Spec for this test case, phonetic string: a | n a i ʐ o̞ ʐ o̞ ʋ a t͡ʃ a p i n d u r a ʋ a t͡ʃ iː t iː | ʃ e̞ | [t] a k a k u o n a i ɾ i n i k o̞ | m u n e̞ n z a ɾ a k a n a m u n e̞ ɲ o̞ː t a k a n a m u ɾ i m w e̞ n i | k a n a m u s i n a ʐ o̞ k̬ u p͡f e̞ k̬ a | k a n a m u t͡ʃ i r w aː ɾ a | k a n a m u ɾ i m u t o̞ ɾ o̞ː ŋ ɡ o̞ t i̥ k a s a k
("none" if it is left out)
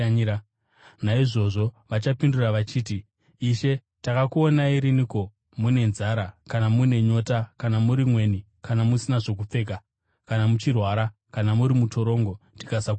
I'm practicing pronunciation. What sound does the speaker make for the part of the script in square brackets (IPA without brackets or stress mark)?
t